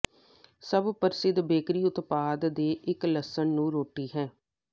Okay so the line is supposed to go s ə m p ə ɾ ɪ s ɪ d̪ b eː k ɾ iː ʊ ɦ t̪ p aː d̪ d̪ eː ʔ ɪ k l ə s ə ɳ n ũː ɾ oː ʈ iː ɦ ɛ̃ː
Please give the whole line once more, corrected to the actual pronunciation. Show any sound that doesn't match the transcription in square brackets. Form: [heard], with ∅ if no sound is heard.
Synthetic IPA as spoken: s ə [b] p ə ɾ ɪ s ɪ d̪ b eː k ɾ iː ʊ [∅] t̪ p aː d̪ d̪ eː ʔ ɪ k l ə s ə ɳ n ũː ɾ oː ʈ iː ɦ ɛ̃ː